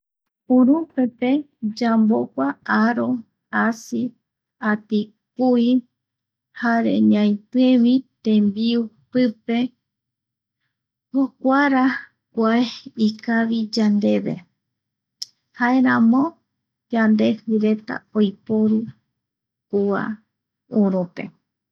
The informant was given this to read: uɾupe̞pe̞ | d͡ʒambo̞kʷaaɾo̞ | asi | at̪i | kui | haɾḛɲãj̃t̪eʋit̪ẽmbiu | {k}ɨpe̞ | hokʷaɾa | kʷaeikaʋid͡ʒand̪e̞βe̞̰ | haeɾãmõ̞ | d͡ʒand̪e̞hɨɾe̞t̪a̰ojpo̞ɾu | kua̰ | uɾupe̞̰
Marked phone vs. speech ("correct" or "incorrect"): incorrect